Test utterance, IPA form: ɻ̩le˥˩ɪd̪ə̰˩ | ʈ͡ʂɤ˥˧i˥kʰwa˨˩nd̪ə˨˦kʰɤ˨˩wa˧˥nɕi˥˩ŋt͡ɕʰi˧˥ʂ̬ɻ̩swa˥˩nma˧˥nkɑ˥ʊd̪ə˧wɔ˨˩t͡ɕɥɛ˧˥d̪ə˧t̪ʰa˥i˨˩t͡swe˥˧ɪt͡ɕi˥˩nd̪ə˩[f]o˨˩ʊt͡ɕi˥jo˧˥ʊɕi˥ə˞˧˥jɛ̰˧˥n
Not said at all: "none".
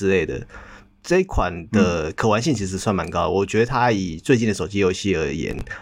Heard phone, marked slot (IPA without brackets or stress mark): ʂ